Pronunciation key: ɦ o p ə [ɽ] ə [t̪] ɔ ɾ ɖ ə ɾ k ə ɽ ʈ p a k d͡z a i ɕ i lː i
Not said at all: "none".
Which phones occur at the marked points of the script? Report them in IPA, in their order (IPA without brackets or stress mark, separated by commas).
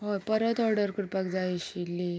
ɾ, t̪